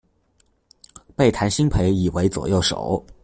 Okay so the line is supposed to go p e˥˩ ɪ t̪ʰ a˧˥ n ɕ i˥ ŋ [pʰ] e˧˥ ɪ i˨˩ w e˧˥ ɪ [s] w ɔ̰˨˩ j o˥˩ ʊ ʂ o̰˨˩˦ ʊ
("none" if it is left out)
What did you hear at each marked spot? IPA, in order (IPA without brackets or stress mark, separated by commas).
pʰ, t͡s